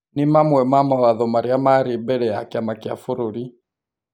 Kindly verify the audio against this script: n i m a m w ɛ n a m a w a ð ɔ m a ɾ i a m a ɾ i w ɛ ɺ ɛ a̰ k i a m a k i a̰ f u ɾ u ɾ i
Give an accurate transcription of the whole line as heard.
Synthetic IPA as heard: n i m a m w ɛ m a m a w a ð ɔ m a ɾ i a m a ɾ i b ɛ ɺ ɛ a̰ k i a m a k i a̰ f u ɾ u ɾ i